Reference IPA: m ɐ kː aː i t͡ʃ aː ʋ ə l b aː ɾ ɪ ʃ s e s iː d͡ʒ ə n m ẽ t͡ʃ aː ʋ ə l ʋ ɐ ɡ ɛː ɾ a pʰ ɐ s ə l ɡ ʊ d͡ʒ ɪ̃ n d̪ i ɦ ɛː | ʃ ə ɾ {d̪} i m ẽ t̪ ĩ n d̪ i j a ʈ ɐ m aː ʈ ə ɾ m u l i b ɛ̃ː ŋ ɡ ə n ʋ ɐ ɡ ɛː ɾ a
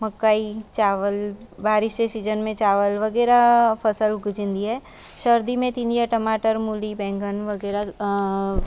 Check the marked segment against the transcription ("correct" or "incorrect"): correct